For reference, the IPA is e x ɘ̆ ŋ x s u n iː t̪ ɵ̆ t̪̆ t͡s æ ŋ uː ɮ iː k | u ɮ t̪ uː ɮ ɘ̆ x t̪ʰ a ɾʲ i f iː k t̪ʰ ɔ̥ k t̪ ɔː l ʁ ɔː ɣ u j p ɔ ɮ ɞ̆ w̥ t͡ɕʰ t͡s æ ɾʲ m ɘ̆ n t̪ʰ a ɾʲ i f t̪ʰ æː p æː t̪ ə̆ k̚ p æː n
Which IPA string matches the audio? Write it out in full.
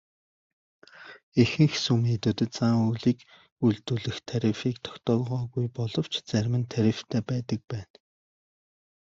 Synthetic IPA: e x ɘ̆ ŋ x s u m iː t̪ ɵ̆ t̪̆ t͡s a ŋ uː ɮ iː k | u ɮ t̪ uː ɮ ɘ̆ x t̪ʰ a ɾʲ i f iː k t̪ʰ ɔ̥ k t̪ ɔː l ʁ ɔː ɣ u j p ɔ ɮ ɞ̆ w̥ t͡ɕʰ t͡s æ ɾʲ m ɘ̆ n t̪ʰ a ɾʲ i f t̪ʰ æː p æː t̪ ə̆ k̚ p æː n